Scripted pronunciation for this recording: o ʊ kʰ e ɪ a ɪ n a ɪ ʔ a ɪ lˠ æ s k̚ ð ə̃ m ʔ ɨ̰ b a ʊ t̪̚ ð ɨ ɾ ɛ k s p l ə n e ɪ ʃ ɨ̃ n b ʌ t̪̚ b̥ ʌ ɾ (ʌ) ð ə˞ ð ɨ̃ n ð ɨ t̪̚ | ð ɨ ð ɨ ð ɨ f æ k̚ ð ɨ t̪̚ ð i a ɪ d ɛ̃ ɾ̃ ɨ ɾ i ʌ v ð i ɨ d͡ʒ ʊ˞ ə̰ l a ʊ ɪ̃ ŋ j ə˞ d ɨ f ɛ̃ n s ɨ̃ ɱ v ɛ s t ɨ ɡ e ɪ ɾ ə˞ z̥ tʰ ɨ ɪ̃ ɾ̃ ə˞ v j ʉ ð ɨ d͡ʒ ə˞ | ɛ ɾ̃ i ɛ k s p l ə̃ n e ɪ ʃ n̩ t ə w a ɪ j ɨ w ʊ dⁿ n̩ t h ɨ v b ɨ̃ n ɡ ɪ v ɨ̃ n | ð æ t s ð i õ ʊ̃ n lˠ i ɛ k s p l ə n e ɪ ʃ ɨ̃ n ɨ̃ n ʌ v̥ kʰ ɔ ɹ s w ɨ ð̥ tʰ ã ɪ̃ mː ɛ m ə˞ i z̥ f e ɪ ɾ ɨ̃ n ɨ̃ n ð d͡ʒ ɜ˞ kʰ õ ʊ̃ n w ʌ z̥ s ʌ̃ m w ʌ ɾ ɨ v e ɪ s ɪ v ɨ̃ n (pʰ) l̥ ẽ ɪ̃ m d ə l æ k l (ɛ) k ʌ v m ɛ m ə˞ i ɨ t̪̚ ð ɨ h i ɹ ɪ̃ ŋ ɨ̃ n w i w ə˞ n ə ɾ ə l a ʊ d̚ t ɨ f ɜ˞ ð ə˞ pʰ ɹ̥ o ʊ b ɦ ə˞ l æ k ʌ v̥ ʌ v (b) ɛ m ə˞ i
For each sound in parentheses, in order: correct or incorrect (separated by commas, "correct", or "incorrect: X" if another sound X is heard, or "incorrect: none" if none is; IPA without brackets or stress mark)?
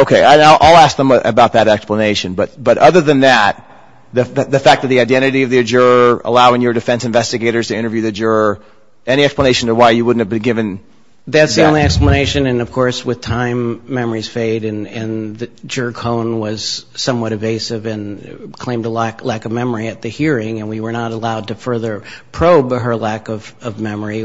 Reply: correct, incorrect: kʰ, incorrect: æ, incorrect: m